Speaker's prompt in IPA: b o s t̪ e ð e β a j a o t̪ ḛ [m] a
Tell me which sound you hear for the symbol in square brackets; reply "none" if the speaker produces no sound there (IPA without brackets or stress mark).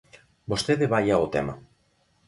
m